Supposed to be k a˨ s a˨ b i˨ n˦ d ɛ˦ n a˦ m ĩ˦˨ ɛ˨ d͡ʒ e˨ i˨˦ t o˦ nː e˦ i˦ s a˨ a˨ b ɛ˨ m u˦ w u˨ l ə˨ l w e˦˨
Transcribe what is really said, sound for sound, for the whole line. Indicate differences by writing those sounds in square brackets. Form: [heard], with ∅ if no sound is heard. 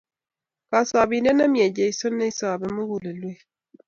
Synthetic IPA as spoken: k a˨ s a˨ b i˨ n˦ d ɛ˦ n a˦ m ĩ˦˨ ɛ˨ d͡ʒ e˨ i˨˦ [s] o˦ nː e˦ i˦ s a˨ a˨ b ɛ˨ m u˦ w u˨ l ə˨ l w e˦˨